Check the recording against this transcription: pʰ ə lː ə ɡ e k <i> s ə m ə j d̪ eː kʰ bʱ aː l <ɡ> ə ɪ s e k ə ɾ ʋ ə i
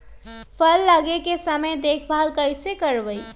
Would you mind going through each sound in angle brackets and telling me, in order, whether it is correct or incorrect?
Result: incorrect: e, incorrect: k

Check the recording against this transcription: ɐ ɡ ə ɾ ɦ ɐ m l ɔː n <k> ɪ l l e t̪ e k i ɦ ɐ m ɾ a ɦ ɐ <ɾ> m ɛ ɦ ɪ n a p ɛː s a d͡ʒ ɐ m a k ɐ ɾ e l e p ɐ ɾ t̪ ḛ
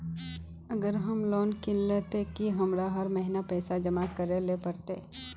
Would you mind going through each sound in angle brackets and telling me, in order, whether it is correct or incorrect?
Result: correct, correct

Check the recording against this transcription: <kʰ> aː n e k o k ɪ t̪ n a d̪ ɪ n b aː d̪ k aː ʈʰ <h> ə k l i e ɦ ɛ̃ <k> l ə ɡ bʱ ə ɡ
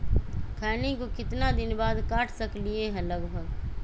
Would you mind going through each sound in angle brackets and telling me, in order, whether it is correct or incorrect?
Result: correct, incorrect: s, incorrect: none

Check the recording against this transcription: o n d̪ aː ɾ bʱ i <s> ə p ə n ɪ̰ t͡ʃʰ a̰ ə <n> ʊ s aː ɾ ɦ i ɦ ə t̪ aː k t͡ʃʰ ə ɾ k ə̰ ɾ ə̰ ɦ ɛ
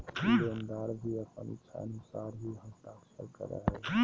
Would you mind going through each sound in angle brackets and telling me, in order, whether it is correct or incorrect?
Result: incorrect: none, correct

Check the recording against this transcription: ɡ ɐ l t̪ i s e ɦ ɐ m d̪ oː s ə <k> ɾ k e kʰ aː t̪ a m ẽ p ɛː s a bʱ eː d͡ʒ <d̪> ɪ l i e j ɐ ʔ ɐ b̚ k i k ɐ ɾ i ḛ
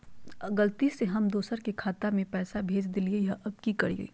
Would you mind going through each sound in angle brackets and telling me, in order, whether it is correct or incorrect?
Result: incorrect: none, correct

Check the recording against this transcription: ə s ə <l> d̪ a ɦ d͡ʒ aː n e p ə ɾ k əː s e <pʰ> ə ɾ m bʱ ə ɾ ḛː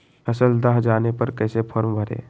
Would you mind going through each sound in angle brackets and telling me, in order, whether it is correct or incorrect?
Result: correct, correct

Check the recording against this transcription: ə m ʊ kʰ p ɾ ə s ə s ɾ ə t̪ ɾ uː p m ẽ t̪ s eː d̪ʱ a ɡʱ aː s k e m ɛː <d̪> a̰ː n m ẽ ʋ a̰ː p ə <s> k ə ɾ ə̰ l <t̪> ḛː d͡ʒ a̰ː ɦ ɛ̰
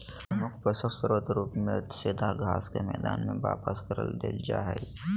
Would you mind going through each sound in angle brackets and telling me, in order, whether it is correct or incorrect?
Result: correct, correct, incorrect: d̪

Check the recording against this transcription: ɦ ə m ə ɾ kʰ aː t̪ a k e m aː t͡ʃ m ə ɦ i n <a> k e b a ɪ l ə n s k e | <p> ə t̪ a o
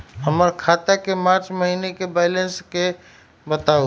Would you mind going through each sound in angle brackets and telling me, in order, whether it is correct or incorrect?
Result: incorrect: e, incorrect: b

